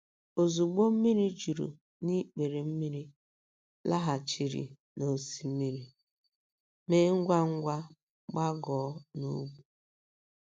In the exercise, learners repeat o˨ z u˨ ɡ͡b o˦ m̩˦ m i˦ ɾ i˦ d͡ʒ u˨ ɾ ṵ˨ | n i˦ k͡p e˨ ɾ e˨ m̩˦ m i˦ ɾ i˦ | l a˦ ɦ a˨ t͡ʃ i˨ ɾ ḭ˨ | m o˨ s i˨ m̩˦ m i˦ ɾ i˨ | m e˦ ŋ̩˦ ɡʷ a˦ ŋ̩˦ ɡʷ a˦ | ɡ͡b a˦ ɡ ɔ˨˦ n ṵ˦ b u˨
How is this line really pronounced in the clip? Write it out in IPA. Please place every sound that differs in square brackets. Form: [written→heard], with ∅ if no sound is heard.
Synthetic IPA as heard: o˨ z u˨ ɡ͡b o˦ m̩˦ m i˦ ɾ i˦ d͡ʒ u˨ ɾ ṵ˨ | n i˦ k͡p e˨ ɾ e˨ m̩˦ m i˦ ɾ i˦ | l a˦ ɦ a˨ t͡ʃ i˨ ɾ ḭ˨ | [m→n] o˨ s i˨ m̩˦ m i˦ ɾ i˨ | m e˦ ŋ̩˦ ɡʷ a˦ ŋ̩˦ ɡʷ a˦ | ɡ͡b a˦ ɡ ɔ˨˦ n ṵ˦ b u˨